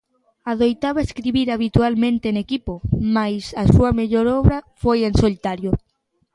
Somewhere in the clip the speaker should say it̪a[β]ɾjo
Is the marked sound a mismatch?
yes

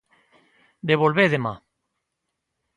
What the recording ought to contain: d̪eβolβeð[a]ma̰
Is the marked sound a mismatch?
yes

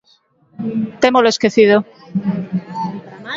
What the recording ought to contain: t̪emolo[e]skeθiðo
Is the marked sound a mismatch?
no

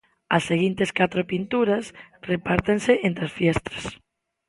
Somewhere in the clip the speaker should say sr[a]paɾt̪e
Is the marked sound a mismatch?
yes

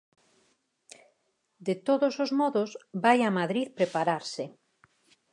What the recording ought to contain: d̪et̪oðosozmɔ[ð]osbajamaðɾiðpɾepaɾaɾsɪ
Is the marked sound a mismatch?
no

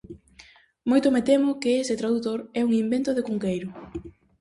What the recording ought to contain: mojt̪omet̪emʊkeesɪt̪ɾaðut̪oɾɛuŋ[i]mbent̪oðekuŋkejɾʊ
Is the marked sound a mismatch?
no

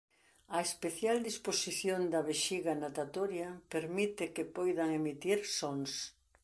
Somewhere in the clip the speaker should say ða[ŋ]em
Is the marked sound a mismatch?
no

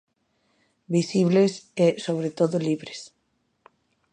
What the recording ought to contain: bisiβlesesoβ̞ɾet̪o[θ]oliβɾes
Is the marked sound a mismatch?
yes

